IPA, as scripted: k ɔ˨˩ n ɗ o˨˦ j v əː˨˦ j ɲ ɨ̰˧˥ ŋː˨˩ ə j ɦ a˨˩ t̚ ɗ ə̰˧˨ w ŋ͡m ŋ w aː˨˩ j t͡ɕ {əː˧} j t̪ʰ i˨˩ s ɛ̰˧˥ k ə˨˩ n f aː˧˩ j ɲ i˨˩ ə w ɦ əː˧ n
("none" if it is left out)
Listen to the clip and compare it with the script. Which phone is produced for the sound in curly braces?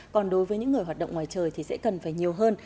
əː˨˩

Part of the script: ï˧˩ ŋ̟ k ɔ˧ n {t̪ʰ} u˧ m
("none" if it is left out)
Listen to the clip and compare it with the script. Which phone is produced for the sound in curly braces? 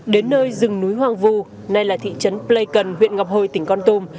t̪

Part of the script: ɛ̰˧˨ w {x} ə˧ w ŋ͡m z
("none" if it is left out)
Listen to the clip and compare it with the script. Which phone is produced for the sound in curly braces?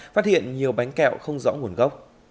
x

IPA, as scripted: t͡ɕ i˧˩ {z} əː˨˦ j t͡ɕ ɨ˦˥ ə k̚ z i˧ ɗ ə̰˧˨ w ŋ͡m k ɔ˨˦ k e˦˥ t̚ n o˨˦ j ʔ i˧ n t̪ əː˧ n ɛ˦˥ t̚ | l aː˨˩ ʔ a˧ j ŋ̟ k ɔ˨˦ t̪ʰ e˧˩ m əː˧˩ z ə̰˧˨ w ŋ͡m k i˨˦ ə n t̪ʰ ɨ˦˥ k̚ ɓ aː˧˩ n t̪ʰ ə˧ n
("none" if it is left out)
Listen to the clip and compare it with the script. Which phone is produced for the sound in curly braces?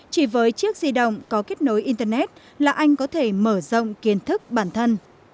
v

